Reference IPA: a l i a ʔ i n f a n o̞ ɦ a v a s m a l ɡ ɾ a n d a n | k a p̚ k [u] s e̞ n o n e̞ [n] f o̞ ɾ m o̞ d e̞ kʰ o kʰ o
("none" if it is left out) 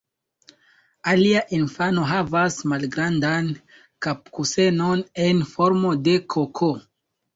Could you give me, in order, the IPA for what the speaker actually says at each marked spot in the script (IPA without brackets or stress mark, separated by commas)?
u, n